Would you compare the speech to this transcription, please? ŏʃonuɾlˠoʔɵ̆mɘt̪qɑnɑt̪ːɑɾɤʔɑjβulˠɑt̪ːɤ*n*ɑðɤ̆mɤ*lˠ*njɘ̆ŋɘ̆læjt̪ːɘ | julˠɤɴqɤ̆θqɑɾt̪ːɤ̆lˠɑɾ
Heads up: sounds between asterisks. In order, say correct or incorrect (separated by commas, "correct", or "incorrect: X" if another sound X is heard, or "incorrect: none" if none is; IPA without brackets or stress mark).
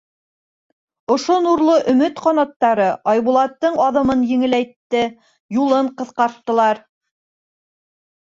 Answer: incorrect: ɴ, incorrect: none